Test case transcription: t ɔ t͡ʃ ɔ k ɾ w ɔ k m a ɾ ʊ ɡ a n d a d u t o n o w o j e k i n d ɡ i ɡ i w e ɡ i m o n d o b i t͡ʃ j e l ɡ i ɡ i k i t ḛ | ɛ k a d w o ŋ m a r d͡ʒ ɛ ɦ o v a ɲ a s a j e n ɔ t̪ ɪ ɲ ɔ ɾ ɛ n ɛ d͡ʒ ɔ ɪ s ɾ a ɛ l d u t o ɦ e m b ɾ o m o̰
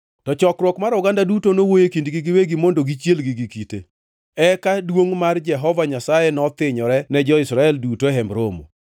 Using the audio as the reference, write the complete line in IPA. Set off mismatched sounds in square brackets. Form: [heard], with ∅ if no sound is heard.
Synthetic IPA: t ɔ t͡ʃ ɔ k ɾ w ɔ k m a ɾ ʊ ɡ a n d a d u t o n o w o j e k i n d ɡ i ɡ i w e ɡ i m o n d o [ɡ] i t͡ʃ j e l ɡ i ɡ i k i t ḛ | ɛ k a d w o ŋ m a r d͡ʒ ɛ ɦ [ɔ] v a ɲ a s a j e n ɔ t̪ ɪ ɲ ɔ ɾ ɛ n ɛ d͡ʒ ɔ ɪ s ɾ a ɛ l d u t o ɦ [ɛ] m b ɾ o m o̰